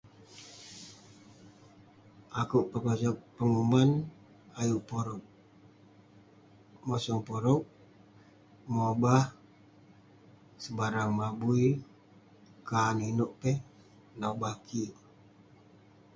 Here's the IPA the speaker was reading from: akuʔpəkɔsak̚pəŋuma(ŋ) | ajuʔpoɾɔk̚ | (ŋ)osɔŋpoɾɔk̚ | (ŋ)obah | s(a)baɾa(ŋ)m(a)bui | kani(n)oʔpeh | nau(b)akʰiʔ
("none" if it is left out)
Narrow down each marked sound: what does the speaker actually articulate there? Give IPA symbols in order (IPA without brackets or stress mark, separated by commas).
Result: n, m, m, ə, ŋ, a, n, b